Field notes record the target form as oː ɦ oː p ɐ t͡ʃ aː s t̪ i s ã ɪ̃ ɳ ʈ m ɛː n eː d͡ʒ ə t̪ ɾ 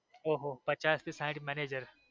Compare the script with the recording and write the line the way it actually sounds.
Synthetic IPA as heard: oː ɦ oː p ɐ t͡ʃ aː s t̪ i s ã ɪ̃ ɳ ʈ m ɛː n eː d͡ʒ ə ɾ